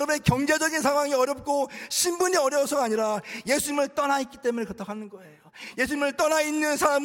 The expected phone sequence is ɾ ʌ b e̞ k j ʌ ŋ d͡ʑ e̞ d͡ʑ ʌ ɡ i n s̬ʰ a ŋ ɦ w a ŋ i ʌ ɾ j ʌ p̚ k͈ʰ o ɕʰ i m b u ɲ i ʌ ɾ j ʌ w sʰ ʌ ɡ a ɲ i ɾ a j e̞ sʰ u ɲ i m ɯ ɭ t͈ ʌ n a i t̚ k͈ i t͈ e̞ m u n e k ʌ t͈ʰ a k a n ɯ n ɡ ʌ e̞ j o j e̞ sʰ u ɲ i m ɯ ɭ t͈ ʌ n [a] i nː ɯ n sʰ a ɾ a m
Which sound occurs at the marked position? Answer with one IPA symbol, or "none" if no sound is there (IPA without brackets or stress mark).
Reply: a